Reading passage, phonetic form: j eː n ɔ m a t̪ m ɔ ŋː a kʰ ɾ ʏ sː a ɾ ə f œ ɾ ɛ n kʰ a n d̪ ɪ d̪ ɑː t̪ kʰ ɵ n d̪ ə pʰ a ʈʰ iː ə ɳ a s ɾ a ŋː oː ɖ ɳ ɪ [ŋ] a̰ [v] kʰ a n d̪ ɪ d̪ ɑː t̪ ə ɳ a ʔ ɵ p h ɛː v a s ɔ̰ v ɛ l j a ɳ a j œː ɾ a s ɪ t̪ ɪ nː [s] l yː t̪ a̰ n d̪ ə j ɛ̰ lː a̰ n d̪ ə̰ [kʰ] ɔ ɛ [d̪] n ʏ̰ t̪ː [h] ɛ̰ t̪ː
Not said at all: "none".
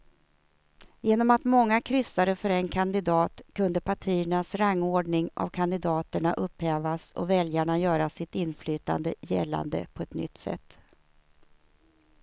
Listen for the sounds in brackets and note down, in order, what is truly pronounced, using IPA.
ŋ, v, f, pʰ, t̪, s

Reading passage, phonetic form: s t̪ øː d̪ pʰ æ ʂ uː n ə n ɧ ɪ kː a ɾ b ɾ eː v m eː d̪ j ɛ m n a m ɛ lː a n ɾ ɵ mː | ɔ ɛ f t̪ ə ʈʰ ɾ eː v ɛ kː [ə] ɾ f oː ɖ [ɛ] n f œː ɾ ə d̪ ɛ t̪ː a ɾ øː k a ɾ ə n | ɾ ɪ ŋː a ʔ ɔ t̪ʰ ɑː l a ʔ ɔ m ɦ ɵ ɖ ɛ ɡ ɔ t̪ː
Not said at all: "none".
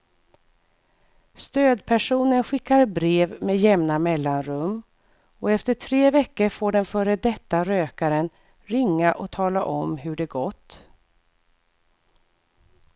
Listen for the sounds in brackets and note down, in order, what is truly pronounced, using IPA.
ə, ɛ

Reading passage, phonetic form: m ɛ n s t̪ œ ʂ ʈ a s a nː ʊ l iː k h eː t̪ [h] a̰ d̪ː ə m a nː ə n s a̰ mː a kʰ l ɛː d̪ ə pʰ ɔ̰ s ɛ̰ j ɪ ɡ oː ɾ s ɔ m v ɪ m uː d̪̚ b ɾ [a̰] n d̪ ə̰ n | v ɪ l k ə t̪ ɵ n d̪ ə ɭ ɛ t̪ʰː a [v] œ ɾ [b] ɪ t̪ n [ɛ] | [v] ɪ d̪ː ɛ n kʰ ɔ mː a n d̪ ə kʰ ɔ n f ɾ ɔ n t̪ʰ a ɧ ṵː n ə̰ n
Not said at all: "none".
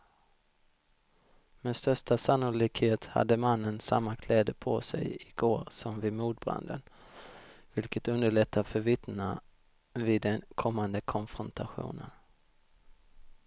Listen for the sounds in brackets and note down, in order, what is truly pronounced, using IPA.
h, a̰, f, v, a, v

